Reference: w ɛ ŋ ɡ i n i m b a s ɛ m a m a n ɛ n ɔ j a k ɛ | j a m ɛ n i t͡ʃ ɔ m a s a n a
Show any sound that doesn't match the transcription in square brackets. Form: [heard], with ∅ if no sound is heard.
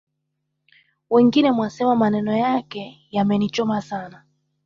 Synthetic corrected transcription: w ɛ ŋ ɡ i n [ɛ] m [w] a s ɛ m a m a n ɛ n ɔ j a k ɛ | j a m ɛ n i t͡ʃ ɔ m a s a n a